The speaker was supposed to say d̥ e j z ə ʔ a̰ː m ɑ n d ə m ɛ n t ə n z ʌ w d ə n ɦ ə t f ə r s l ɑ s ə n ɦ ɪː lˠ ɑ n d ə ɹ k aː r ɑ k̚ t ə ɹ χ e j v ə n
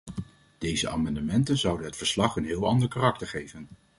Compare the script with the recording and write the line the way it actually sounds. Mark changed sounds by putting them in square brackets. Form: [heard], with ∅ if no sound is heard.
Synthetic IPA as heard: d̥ e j z ə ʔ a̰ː m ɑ n d ə m ɛ n t ə n z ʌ w d ə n ɦ ə t f ə [ɹ] s l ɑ [χ] ə n ɦ ɪː lˠ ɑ n d ə ɹ k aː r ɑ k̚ t ə ɹ χ e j v ə n